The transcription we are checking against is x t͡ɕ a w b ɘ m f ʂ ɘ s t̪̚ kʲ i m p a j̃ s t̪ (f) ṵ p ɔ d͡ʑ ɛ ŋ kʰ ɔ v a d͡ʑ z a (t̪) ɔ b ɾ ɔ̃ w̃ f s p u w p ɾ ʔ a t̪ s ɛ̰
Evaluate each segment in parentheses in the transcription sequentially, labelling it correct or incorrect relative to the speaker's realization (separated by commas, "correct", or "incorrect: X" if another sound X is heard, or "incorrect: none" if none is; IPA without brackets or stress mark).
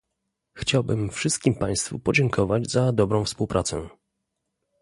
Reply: correct, incorrect: d̪